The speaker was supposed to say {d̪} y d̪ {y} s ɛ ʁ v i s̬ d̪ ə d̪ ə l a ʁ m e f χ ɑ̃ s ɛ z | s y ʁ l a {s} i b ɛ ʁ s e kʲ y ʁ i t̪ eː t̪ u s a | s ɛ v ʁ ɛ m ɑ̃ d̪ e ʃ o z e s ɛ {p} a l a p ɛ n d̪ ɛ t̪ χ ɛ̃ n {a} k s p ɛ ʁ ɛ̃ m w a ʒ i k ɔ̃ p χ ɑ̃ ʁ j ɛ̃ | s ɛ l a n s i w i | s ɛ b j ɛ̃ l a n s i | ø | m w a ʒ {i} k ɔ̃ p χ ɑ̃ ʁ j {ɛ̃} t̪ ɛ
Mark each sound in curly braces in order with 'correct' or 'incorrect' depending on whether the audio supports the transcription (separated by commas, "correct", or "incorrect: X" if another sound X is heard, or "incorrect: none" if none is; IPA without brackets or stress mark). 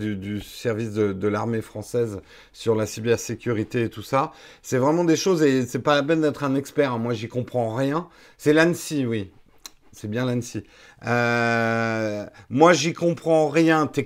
correct, correct, correct, correct, incorrect: ɛ, correct, correct